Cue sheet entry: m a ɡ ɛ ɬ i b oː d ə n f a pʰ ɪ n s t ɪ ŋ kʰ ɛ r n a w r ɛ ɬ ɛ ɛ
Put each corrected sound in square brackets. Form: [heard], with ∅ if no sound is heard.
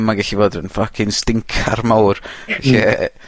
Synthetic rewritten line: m a ɡ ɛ ɬ i [v] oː d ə n f a [kʰ] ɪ n s t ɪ ŋ kʰ [a] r [m] a w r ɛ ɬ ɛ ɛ